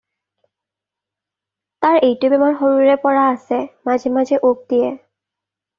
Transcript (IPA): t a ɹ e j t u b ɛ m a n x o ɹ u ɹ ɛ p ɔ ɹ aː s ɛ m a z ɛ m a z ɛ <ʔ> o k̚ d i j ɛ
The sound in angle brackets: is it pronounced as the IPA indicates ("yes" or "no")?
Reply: yes